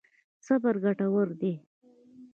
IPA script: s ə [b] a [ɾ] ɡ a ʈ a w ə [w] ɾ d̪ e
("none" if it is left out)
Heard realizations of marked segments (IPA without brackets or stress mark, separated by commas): b, ɾ, none